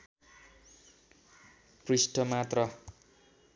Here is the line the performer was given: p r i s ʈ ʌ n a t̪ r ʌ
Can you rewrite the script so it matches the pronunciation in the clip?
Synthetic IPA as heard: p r i s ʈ ʌ m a t̪ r ʌ